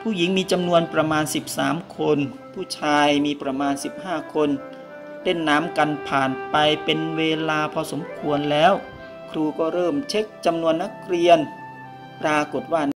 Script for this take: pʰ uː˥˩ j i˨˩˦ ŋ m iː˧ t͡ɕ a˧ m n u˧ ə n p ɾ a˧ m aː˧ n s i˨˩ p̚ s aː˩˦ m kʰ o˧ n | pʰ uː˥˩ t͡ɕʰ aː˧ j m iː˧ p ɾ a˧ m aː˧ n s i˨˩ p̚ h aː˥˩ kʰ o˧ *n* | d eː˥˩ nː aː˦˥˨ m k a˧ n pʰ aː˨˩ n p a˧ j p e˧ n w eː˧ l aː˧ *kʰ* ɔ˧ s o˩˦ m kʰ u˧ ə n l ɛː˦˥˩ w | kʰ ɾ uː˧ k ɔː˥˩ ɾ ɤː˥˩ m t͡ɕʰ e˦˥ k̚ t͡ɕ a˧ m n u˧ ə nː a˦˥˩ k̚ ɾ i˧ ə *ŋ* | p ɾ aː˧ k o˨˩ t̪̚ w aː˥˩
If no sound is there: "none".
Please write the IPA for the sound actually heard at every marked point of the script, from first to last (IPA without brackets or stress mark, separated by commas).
n, pʰ, n